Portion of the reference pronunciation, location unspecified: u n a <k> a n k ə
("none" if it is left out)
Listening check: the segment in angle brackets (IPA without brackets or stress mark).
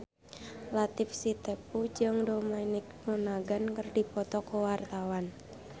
ɡ